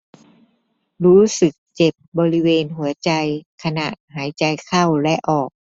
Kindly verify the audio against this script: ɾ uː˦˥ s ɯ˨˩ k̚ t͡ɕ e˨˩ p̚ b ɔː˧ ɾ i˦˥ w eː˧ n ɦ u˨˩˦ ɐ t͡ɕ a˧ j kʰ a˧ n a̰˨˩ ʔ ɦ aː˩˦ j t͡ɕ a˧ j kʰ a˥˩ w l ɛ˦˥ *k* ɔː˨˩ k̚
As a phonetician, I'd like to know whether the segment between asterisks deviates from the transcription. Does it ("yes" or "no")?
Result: yes